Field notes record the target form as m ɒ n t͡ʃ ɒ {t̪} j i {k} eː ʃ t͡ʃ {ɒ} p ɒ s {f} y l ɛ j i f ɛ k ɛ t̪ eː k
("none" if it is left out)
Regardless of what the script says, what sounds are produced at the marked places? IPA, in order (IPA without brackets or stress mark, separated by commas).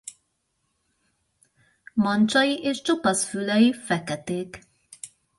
none, ʔ, o, f